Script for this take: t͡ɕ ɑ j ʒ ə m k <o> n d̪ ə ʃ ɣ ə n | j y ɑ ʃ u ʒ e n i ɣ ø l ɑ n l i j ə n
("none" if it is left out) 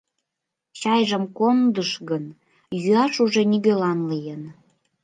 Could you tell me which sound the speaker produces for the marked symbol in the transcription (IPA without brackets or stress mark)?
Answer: o